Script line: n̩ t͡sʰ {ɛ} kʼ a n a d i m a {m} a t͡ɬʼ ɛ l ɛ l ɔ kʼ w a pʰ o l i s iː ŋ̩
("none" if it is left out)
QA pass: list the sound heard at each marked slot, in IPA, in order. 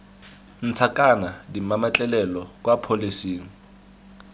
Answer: a, m

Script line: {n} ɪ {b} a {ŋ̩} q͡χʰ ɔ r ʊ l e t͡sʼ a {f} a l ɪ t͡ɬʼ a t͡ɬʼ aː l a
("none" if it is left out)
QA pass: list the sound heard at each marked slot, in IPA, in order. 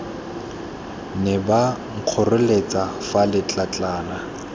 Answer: n, b, ŋ̩, f

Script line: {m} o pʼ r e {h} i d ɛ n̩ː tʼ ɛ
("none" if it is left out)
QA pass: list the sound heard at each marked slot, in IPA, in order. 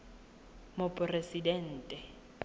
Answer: m, s

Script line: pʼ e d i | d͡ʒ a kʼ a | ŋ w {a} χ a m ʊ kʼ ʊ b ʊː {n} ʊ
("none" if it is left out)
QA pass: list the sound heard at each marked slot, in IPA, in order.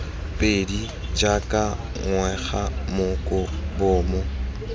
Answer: ɛ, m

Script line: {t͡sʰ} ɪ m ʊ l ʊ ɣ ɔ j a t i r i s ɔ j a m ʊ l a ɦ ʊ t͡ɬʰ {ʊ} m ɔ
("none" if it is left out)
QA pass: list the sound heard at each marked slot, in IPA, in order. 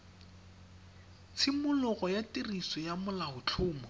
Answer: t͡sʰ, ʊː

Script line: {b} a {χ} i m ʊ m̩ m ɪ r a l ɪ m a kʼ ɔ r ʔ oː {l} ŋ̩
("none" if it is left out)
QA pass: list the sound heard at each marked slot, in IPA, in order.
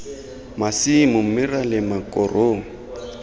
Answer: m, s, none

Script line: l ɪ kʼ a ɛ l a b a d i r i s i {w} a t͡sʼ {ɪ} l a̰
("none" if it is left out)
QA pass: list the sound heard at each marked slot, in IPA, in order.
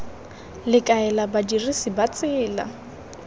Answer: b, ɪː

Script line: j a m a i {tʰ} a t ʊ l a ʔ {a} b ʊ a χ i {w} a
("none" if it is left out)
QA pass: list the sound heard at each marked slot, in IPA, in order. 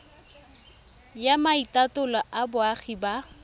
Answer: t, a, b

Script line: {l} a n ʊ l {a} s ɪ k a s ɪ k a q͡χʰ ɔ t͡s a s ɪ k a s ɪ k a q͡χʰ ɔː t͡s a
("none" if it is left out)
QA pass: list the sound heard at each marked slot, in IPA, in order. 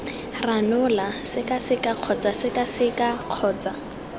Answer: r, a

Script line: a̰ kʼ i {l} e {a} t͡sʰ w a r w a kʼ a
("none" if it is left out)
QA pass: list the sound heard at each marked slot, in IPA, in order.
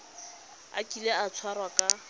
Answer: l, a

